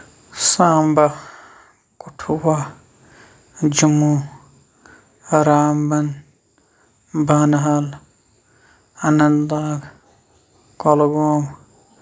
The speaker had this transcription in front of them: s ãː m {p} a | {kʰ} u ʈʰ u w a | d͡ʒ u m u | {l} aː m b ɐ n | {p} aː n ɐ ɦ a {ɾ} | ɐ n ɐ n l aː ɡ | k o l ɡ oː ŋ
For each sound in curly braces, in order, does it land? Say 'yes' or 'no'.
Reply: no, no, no, no, no

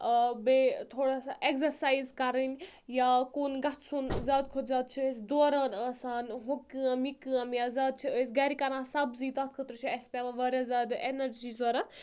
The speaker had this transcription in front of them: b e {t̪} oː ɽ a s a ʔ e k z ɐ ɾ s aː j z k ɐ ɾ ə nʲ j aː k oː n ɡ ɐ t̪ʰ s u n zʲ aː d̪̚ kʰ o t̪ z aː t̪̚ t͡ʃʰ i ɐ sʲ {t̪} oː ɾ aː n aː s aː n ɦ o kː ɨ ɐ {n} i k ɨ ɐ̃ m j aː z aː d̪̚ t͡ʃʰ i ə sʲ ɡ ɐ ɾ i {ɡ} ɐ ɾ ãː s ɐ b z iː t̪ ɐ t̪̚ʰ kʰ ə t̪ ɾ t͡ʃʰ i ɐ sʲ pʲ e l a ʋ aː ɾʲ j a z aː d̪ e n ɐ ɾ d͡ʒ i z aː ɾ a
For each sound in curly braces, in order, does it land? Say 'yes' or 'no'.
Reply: no, no, no, no

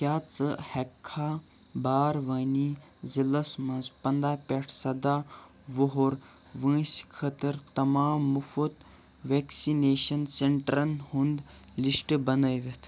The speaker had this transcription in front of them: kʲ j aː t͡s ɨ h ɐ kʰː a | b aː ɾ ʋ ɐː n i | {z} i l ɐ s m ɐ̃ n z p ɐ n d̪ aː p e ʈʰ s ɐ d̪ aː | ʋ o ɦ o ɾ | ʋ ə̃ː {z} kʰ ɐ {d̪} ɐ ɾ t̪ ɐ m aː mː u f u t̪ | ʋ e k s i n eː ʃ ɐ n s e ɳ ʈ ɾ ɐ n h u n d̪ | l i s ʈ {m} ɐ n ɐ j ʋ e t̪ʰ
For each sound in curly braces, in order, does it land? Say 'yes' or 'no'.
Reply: yes, no, no, no

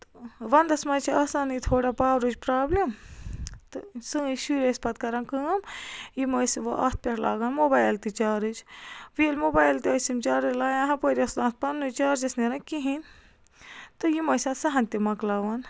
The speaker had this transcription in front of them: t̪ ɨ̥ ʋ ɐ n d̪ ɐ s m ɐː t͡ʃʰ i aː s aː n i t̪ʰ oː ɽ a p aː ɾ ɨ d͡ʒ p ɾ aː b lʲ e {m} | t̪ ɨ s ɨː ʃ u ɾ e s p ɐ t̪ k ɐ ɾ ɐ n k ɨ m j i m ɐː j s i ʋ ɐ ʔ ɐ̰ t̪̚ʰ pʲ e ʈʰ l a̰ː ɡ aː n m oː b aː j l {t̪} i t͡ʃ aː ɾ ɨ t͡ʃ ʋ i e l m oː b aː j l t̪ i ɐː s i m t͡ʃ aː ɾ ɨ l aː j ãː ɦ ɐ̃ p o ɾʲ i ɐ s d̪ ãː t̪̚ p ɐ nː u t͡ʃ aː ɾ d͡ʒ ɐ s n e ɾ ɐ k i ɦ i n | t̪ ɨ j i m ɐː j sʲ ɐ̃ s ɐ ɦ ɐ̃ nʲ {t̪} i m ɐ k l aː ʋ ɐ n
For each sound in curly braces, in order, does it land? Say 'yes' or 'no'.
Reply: yes, yes, yes

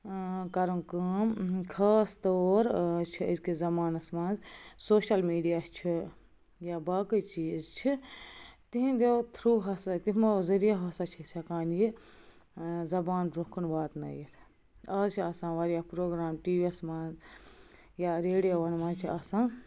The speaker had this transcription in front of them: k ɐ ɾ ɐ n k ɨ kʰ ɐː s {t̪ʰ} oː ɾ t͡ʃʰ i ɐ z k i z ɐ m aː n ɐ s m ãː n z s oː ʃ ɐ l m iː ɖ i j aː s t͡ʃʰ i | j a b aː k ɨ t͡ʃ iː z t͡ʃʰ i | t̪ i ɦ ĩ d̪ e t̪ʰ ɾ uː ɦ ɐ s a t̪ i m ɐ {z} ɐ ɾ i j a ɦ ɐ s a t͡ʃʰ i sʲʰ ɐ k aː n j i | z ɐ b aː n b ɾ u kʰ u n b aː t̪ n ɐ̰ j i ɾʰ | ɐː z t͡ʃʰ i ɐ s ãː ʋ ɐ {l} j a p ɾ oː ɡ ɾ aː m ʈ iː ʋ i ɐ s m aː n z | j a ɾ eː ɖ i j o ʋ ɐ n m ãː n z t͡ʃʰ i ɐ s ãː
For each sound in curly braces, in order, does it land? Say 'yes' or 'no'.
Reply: no, yes, no

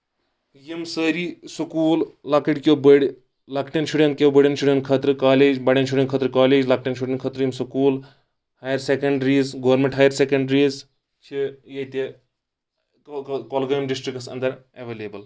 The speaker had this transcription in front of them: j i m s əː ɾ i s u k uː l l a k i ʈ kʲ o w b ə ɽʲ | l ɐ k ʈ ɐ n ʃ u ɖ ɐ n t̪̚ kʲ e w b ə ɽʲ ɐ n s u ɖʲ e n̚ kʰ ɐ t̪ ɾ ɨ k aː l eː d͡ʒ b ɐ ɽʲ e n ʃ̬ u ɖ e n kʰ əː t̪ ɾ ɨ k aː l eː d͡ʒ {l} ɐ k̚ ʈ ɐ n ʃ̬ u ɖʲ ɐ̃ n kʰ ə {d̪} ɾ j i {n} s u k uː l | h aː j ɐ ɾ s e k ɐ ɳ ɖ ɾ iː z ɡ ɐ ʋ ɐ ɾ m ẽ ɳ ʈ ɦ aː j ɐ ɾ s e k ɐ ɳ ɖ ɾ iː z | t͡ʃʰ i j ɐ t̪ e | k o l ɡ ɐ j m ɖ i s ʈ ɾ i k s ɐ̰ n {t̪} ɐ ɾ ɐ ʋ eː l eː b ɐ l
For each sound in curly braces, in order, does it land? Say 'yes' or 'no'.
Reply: yes, no, no, no

